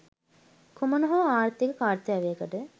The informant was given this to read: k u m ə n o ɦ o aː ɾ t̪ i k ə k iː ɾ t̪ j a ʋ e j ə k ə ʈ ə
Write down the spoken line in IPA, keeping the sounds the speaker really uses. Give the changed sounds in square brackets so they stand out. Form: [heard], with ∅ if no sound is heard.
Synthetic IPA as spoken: k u m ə n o ɦ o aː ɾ t̪ i k ə k [aː] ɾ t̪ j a ʋ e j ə k ə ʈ ə